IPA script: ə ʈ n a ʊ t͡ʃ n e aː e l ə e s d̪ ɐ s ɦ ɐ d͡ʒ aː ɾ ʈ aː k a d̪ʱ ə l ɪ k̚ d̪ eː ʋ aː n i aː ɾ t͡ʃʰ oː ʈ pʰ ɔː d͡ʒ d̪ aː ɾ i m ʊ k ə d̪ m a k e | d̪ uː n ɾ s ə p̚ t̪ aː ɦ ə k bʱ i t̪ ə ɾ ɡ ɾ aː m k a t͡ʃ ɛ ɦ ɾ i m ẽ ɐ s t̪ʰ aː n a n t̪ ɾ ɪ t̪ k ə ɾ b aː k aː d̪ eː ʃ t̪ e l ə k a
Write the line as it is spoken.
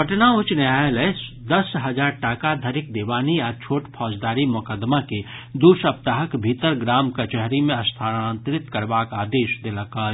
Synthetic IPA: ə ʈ n a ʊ t͡ʃ n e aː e l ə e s d̪ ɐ s ɦ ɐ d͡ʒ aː ɾ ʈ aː k a d̪ʱ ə ɾ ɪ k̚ d̪ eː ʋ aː n i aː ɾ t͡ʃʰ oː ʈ pʰ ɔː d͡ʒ d̪ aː ɾ i m ʊ k ə d̪ m a k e | d̪ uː ɾ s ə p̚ t̪ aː ɦ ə k bʱ i t̪ ə ɾ ɡ ɾ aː m k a t͡ʃ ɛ ɦ ɾ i m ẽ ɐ s t̪ʰ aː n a n t̪ ɾ ɪ t̪ k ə ɾ b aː k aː d̪ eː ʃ d̪ e l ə k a

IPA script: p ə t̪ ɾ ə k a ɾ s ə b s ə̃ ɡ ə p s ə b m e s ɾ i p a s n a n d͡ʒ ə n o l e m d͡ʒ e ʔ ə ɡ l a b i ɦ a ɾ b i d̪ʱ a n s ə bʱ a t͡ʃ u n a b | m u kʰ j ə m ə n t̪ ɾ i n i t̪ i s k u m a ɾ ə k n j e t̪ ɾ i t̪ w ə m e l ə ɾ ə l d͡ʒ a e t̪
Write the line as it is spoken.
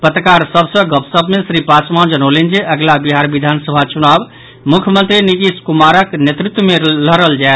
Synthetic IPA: p ə t̪ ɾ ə k a ɾ s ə b s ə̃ ɡ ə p s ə b m e s ɾ i p a s m a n d͡ʒ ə n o l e n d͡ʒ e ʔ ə ɡ l a b i ɦ a ɾ b i d̪ʱ a n s ə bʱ a t͡ʃ u n a b | m u kʰ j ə m ə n t̪ ɾ i n i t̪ i s k u m a ɾ ə k n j e t̪ ɾ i t̪ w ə m e l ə ɾ ə l d͡ʒ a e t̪

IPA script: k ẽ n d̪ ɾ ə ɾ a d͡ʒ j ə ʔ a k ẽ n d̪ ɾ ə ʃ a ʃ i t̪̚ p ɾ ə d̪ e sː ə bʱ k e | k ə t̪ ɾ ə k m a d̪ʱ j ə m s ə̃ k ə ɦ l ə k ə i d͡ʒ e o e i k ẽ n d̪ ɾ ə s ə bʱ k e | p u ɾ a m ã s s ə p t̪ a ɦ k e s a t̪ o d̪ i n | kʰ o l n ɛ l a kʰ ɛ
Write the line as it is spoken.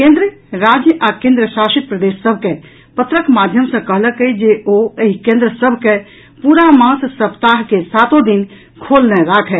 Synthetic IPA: k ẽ n d̪ ɾ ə ɾ a d͡ʒ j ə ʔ a k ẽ n d̪ ɾ ə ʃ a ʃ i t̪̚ p ɾ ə d̪ e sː ə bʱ k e | p ə t̪ ɾ ə k m a d̪ʱ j ə m s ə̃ k ə ɦ l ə k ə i d͡ʒ e o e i k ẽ n d̪ ɾ ə s ə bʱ k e | p u ɾ a m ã s s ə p t̪ a ɦ k e s a t̪ o d̪ i n | kʰ o l n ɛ ɾ a kʰ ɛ

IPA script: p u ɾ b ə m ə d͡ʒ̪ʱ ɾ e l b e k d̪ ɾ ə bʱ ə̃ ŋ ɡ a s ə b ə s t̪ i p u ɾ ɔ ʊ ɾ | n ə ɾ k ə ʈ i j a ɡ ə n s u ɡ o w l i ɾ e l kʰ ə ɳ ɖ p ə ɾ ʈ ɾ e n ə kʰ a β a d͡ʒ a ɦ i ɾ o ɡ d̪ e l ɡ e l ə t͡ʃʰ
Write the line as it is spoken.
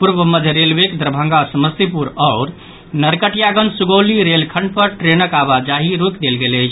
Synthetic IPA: p u ɾ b ə m ə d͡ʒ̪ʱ ɾ e l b e k d̪ ɾ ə bʱ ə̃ ŋ ɡ a s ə m ə s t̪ i p u ɾ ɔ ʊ ɾ | n ə ɾ k ə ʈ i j a ɡ ə n s u ɡ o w l i ɾ e l kʰ ə ɳ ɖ p ə ɾ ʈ ɾ e n ə k a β a d͡ʒ a ɦ i ɾ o k d̪ e l ɡ e l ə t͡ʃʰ

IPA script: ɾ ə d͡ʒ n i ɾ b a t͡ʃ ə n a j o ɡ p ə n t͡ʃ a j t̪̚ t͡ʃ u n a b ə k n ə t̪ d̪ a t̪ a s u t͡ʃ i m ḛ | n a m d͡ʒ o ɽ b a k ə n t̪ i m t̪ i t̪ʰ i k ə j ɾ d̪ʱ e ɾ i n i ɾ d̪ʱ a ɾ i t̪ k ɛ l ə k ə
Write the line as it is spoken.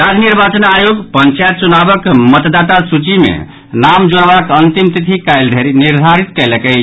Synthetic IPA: ɾ a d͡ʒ n i ɾ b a t͡ʃ ə n a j o ɡ p ə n t͡ʃ a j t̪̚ t͡ʃ u n a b ə k m ə t̪ d̪ a t̪ a s u t͡ʃ i m ḛ | n a m d͡ʒ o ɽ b a k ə n t̪ i m t̪ i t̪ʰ i k a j l d̪ʱ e ɾ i n i ɾ d̪ʱ a ɾ i t̪ k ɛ l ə k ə

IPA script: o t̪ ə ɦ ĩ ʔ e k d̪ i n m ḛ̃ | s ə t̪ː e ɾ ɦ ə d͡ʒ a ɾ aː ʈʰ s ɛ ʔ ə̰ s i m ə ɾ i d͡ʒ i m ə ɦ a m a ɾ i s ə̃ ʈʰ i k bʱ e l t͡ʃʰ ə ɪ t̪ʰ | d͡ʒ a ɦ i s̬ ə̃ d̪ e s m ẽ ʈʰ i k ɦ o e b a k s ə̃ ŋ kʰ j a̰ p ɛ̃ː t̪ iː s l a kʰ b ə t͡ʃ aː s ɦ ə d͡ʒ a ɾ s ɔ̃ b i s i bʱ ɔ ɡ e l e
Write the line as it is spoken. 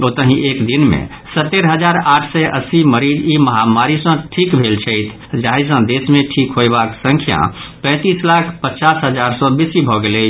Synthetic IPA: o t̪ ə ɦ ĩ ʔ e k d̪ i n m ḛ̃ | s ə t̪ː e ɾ ɦ ə d͡ʒ a ɾ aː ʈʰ s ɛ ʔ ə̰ s i m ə ɾ i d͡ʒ i m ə ɦ a m a ɾ i s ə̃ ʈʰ i k bʱ e l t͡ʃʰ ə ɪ t̪ʰ | d͡ʒ a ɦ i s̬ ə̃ d̪ e s m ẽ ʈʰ i k ɦ o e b a k s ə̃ ŋ kʰ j a̰ p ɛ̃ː t̪ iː s l a kʰ p ə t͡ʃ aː s ɦ ə d͡ʒ a ɾ s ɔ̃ b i s i bʱ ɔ ɡ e l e

